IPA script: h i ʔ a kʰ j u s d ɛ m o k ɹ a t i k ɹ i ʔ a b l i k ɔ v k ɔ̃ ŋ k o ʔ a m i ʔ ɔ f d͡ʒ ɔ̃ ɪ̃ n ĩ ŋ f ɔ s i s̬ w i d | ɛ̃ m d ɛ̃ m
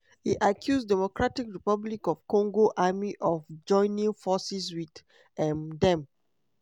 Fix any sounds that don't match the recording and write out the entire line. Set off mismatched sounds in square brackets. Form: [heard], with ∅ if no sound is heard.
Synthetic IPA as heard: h i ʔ a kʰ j u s d ɛ m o k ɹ a t i k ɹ i [p] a b l i k ɔ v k ɔ̃ ŋ [ɡ] o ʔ a m i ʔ ɔ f d͡ʒ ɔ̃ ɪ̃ n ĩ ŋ f ɔ s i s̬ w i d | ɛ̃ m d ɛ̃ m